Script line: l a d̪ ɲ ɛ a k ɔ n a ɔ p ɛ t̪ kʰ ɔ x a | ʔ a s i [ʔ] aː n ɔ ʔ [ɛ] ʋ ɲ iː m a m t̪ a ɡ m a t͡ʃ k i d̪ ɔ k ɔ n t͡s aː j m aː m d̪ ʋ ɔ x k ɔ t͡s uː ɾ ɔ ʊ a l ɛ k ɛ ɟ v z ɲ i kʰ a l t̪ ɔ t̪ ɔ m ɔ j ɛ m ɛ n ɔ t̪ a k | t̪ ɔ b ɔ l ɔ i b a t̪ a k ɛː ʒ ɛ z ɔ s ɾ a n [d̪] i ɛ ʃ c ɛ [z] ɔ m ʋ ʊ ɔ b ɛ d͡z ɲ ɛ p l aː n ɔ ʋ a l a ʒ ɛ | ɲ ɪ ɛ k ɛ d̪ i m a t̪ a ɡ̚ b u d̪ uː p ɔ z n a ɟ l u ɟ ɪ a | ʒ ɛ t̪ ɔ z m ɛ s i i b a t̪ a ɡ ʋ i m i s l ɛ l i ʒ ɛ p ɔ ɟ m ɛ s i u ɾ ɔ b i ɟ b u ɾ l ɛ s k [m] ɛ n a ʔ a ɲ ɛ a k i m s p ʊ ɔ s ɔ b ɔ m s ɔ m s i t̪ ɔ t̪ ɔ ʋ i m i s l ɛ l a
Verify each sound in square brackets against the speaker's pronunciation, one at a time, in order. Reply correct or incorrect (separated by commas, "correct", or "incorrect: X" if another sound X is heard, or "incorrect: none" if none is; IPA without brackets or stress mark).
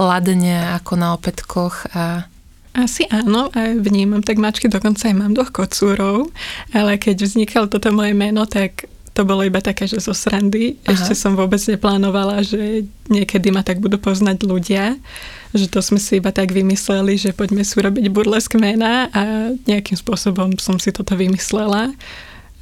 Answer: correct, incorrect: a, correct, incorrect: s, correct